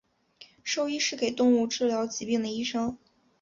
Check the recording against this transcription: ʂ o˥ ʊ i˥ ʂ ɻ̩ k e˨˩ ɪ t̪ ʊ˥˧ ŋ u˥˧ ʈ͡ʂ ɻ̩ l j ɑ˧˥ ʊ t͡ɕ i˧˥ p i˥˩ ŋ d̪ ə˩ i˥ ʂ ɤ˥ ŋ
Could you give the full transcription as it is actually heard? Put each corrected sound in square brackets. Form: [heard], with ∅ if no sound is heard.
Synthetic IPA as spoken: ʂ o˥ ʊ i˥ ʂ ɻ̩ k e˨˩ ɪ t̪ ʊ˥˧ ŋ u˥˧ ʈ͡ʂ ɻ̩ l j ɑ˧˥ ʊ t͡ɕ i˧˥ p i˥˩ ŋ d̪ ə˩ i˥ ʂ ɤ˥ ŋ